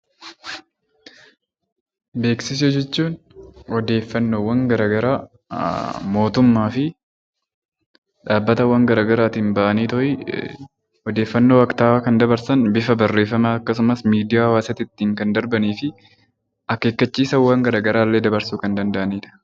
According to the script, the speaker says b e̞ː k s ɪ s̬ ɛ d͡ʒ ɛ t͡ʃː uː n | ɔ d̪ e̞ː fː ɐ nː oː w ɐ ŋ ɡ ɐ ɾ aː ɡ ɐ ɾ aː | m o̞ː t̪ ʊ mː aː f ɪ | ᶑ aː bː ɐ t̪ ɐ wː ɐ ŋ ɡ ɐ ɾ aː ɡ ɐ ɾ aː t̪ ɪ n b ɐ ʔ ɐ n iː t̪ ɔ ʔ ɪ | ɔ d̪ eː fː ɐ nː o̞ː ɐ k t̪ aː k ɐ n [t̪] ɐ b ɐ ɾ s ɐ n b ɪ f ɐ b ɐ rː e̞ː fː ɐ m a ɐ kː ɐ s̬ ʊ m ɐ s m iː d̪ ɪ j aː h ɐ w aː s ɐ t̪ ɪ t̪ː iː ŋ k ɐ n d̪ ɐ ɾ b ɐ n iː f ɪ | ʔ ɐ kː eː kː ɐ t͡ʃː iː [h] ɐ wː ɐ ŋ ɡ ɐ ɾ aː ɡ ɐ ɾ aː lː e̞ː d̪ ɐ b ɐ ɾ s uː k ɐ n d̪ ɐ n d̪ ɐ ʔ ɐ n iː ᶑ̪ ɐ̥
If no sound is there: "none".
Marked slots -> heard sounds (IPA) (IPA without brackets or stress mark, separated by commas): d̪, s